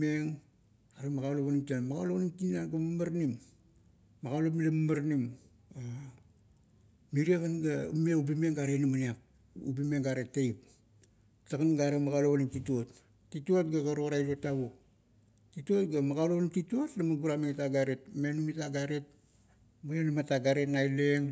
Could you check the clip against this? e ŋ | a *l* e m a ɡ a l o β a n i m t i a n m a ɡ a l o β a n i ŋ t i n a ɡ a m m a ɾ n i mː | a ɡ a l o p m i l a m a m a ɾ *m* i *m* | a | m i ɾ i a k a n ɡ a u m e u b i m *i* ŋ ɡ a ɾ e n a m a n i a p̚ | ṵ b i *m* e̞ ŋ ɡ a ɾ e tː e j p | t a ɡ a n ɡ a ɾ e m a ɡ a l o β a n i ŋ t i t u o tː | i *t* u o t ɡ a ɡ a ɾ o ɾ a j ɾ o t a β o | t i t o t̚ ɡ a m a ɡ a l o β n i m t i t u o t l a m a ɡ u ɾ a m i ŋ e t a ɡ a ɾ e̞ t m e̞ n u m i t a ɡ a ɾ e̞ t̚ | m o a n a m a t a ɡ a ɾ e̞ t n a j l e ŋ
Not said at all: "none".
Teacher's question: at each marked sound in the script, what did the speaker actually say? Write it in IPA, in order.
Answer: ɾ, n, m, e, m, t

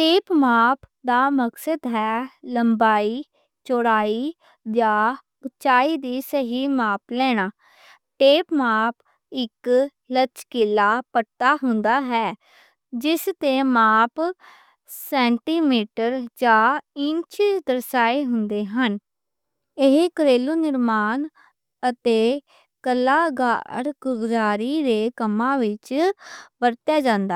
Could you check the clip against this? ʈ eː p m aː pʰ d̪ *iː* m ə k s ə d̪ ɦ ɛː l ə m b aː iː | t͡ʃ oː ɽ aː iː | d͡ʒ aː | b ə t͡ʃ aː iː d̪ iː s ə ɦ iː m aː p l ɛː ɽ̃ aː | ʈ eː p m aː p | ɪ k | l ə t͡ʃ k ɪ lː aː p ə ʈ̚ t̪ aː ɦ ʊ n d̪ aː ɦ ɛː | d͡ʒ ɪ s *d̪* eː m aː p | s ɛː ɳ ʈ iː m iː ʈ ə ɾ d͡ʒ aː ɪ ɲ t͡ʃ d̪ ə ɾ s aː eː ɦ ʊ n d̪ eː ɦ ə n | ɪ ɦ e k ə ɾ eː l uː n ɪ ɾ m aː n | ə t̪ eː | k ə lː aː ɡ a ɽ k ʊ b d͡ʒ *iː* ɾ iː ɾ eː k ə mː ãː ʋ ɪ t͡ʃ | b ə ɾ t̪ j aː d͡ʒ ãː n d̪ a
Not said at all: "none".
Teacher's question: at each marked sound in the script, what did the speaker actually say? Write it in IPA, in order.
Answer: aː, t̪, aː

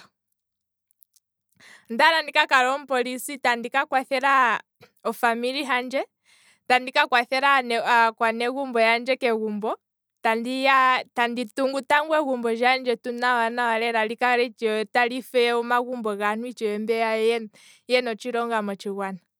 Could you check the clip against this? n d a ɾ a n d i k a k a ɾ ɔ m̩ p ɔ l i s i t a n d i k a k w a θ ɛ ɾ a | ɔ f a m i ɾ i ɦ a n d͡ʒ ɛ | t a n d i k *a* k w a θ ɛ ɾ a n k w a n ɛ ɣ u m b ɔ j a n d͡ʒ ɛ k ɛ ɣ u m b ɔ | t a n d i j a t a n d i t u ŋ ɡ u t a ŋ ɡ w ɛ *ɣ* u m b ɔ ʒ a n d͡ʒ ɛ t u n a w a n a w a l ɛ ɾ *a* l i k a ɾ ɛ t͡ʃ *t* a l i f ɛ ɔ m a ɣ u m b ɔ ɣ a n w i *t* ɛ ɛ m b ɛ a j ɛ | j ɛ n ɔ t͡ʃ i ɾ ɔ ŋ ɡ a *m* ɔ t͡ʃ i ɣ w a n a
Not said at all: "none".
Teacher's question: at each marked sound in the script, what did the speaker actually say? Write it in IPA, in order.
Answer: a, ɣ, a, t, t͡ʃ, m

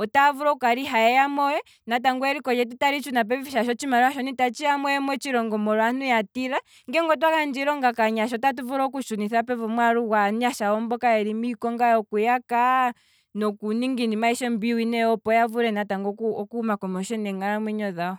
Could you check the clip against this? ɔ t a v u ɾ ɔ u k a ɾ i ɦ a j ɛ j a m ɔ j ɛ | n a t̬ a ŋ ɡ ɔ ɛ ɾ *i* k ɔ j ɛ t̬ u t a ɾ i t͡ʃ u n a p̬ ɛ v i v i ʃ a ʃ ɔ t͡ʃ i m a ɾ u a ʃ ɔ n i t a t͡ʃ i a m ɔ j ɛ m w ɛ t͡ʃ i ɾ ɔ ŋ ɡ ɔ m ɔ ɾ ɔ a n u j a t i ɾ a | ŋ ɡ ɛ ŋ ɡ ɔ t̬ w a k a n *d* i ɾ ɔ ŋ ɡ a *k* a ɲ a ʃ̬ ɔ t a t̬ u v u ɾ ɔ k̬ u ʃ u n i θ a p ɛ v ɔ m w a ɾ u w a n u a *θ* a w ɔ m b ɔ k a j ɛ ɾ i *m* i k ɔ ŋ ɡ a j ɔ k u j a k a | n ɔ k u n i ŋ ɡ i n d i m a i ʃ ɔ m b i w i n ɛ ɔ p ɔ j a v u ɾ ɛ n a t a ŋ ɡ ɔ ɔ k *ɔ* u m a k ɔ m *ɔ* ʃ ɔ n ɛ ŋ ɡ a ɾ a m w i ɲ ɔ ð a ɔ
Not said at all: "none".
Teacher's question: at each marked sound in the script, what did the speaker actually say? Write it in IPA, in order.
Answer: i, d͡ʒ, k, ʃ, m, u, ɔ

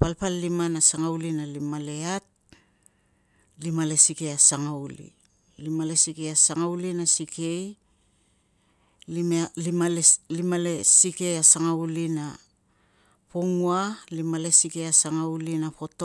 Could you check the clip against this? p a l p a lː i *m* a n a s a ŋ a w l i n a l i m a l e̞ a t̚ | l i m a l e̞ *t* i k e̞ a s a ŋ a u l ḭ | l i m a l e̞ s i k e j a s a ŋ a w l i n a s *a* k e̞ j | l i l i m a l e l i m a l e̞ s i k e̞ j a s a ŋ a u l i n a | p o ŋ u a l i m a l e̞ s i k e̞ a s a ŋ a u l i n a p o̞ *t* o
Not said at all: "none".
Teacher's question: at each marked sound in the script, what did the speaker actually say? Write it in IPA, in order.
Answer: m, s, i, t

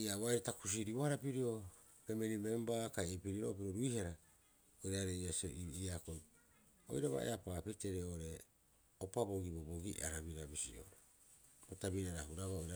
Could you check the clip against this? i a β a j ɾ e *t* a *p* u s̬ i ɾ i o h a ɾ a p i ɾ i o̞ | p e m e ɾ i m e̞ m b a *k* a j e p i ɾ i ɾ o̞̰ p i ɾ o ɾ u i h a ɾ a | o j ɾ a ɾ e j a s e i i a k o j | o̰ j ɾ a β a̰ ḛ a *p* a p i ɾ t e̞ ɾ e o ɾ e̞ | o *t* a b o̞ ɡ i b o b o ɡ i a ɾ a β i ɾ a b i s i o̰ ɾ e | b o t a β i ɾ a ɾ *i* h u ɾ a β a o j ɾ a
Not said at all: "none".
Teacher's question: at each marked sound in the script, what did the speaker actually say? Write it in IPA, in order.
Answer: t, k, k, p, p, a

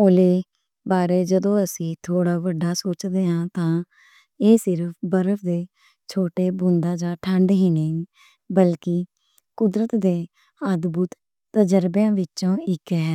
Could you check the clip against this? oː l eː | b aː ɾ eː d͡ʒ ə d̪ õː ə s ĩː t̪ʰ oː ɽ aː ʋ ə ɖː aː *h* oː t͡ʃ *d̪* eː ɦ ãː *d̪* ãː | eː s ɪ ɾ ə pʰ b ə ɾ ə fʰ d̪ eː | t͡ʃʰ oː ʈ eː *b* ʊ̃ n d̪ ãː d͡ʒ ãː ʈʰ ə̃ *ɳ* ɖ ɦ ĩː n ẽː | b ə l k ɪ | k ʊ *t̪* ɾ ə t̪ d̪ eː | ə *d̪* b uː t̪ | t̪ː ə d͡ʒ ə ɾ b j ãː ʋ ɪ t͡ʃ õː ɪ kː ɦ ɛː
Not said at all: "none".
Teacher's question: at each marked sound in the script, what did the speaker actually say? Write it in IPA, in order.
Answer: s, d̪, t̪, b, ɳ, d̪, d̪

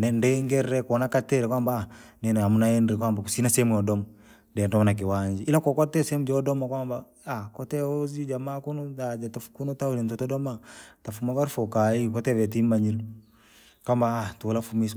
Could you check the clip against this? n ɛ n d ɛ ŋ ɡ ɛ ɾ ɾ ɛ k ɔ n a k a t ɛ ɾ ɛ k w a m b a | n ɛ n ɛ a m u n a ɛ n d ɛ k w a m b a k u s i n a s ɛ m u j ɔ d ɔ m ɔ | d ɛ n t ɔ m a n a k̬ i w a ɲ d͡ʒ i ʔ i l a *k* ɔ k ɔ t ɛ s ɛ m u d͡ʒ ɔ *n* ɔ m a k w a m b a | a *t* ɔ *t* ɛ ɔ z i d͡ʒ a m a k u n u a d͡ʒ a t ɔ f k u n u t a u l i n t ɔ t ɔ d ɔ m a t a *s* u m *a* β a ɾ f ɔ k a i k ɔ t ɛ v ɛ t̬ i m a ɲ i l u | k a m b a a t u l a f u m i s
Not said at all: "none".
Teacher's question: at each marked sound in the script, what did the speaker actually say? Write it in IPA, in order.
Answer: k, d, k, t, f, a

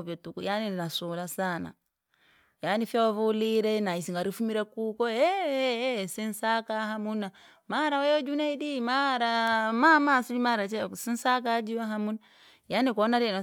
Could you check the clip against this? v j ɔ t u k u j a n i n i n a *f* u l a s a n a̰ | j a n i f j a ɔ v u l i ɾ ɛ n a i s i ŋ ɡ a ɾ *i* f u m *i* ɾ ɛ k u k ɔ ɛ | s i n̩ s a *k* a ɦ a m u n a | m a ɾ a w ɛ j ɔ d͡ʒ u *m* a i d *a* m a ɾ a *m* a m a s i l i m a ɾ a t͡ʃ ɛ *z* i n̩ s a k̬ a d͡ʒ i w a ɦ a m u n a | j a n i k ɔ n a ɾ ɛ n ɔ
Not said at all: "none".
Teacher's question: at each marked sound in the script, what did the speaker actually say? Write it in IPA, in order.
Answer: s, i, i, k, n, i, m, s

